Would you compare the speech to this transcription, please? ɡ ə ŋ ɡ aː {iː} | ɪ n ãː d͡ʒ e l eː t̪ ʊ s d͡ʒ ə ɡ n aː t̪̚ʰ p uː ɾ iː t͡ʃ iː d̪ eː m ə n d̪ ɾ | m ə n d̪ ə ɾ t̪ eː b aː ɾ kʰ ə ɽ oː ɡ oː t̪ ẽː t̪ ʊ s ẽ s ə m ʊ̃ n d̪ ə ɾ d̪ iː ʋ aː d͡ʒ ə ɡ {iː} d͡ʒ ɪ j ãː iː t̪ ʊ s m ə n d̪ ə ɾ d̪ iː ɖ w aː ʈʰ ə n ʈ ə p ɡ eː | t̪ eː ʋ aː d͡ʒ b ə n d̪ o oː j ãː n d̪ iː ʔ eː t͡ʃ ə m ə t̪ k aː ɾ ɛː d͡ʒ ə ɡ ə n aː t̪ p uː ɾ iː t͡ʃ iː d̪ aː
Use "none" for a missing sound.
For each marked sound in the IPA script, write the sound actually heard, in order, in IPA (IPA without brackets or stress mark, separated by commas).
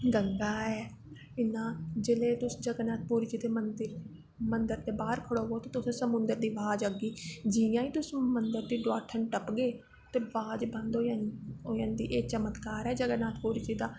ɛː, iː